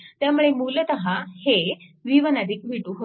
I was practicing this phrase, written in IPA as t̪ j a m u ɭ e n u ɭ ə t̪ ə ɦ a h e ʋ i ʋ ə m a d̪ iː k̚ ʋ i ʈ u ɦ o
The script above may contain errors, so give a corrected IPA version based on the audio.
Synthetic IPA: t̪ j a m u ɭ e m u l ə t̪ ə ɦ a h e ʋ i ʋ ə n a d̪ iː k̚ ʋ i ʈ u ɦ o